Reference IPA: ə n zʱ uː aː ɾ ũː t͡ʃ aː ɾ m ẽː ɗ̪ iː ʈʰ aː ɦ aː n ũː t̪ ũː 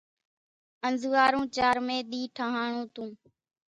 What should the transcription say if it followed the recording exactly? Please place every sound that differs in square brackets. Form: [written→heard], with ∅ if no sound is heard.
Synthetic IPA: ə n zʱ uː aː ɾ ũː t͡ʃ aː ɾ m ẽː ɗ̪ iː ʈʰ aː ɦ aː [n→ɳ] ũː t̪ ũː